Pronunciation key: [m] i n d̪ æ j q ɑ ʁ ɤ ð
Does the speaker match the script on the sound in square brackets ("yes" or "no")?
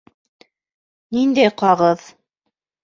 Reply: no